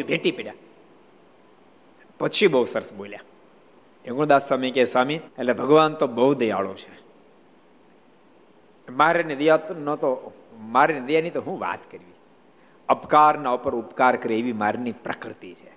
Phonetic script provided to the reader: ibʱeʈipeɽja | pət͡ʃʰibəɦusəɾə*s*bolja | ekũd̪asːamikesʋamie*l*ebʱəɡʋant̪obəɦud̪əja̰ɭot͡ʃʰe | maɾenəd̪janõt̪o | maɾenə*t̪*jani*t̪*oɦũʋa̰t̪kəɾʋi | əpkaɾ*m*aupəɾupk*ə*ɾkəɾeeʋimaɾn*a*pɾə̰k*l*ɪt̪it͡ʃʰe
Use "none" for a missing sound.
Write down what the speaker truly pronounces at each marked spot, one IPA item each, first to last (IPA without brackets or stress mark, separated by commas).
s, l, d̪, t̪, n, a, i, ɾ